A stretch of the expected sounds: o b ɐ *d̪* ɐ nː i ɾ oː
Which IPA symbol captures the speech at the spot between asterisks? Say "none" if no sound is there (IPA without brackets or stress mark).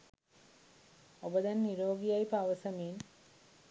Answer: d̪